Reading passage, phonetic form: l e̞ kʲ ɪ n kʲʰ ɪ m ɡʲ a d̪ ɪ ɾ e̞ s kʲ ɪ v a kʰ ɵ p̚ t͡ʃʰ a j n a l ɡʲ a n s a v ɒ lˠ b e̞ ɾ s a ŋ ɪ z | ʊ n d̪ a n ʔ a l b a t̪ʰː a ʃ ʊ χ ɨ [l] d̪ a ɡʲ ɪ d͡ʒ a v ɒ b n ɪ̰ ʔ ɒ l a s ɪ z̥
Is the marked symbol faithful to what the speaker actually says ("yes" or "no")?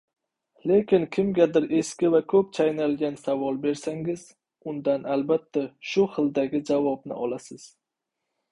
yes